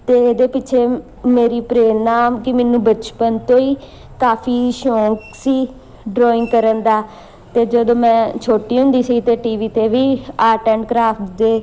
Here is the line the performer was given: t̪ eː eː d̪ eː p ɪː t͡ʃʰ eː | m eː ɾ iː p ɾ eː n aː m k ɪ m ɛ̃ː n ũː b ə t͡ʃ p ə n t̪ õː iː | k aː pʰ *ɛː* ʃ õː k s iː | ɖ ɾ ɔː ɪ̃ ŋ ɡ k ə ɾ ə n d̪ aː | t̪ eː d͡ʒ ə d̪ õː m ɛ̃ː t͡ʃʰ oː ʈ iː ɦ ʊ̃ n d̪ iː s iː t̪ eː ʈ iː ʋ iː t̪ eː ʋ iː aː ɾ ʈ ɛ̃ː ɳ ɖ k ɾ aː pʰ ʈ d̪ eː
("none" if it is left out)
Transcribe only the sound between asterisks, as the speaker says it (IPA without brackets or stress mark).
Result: iː